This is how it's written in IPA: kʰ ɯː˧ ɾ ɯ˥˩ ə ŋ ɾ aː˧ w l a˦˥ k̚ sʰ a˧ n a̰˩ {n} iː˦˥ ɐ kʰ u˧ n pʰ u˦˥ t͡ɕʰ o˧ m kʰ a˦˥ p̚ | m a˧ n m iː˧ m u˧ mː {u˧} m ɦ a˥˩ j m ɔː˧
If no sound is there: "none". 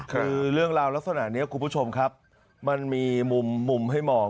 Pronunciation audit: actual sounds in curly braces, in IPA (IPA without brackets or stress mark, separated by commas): n, u˧